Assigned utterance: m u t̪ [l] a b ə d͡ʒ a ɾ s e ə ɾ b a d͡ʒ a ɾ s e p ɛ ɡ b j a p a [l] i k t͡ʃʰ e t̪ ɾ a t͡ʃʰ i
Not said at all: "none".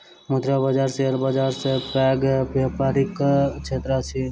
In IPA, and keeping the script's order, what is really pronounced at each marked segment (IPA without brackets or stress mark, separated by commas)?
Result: ɾ, ɾ